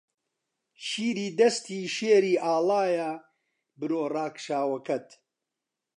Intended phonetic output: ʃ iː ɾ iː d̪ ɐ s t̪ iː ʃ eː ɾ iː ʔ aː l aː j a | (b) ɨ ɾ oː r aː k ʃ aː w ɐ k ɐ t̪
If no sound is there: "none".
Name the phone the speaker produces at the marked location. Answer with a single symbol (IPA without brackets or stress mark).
b